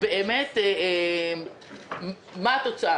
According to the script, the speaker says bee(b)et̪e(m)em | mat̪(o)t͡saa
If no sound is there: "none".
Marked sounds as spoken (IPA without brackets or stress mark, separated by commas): m, none, o